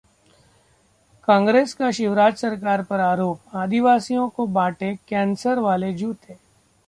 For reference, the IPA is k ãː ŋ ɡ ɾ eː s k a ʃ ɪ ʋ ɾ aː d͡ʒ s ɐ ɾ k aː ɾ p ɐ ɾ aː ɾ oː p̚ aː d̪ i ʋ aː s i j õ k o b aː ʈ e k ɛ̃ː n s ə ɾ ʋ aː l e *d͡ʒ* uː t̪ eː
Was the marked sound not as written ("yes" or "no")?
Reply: no